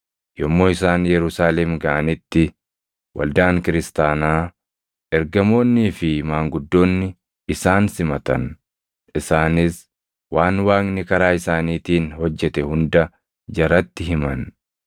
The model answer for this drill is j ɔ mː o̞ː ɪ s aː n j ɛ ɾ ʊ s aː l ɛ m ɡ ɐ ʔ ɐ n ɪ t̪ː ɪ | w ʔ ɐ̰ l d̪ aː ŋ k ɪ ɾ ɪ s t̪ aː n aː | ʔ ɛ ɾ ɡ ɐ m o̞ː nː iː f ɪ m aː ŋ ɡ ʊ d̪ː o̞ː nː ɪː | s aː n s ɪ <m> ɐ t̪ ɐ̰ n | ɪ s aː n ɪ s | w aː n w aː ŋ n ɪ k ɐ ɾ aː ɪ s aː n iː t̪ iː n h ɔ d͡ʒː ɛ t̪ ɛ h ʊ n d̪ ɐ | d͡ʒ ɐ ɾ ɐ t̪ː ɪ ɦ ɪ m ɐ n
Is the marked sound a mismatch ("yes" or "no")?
no